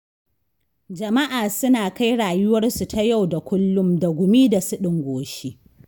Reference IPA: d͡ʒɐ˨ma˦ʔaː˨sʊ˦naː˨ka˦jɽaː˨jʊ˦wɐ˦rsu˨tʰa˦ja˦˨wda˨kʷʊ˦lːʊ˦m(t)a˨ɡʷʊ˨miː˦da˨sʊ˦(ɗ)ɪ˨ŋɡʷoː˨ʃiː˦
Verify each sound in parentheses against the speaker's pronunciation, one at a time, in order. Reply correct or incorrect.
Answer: incorrect: d, correct

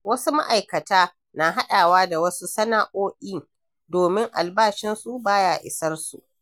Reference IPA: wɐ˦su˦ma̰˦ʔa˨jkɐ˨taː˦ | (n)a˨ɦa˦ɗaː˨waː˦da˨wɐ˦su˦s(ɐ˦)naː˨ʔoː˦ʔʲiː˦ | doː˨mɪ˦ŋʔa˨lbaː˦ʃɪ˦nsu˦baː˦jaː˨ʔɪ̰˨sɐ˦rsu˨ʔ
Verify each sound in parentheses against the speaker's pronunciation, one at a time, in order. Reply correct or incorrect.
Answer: correct, correct

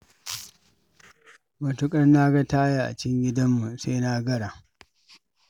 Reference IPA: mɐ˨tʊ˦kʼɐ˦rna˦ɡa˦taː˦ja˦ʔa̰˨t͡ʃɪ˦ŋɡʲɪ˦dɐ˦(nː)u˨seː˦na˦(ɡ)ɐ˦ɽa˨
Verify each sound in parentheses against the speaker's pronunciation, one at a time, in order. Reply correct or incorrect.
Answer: incorrect: mː, correct

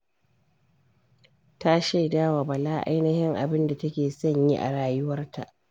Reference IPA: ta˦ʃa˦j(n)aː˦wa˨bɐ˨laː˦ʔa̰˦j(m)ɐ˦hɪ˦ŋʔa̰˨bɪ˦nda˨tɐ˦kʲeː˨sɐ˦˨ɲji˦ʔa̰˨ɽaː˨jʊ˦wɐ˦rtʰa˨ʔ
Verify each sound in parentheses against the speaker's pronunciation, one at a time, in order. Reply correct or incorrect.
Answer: incorrect: d, incorrect: n

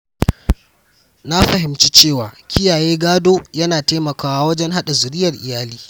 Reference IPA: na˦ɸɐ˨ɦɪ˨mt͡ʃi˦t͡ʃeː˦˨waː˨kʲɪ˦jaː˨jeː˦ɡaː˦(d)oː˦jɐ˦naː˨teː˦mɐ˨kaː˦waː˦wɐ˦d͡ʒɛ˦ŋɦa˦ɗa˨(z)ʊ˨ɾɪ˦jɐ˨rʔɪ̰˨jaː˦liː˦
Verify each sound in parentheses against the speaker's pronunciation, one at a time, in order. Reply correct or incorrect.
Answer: correct, correct

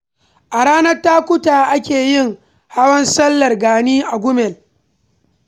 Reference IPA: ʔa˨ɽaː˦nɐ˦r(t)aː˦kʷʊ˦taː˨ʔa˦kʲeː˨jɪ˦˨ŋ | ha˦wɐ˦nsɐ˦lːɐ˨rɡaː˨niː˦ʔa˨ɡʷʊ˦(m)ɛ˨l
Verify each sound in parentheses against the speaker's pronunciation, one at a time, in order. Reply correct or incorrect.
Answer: correct, correct

